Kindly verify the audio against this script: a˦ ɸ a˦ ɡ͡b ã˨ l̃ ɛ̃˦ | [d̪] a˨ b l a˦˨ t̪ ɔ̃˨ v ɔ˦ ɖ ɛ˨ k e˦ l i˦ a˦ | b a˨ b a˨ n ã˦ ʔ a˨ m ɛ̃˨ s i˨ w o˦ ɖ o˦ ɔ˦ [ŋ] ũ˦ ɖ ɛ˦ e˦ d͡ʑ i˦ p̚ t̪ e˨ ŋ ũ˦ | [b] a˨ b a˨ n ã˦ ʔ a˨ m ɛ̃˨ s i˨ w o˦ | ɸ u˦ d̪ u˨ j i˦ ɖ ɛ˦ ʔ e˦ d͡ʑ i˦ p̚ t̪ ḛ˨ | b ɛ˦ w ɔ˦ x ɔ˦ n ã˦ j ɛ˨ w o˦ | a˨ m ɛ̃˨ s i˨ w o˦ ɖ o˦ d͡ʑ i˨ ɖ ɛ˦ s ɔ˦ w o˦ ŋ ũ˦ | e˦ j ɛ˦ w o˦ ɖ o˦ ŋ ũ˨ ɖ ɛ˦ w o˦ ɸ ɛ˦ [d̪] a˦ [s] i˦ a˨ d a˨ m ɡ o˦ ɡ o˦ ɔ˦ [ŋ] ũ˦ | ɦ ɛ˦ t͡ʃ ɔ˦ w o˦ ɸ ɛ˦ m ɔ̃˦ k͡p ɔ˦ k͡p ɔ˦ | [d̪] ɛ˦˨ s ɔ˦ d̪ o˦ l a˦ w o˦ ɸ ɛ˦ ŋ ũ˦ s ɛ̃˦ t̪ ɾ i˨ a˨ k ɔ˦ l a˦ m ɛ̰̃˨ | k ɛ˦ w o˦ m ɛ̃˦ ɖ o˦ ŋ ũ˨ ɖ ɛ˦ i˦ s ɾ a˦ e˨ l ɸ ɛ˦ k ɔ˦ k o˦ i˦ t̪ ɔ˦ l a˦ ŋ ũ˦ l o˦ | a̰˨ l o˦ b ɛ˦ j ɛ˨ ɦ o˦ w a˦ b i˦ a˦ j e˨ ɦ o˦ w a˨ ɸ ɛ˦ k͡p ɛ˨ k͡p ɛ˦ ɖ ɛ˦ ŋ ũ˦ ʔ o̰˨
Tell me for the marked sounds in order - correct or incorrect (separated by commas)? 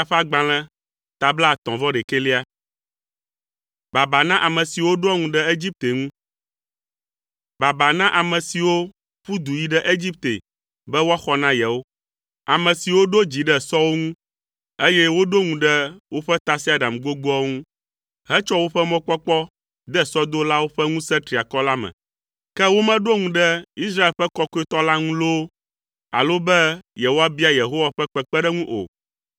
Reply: incorrect, correct, correct, incorrect, correct, correct, correct